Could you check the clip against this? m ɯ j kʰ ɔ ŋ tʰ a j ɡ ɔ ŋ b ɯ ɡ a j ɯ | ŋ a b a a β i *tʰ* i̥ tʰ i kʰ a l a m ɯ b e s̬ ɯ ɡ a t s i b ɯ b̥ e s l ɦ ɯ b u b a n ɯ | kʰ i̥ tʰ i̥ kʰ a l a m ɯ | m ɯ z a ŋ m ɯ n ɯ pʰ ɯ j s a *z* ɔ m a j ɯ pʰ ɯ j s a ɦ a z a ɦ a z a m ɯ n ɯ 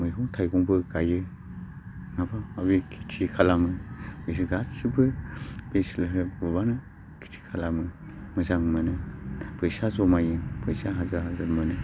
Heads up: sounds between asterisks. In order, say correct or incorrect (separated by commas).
incorrect, correct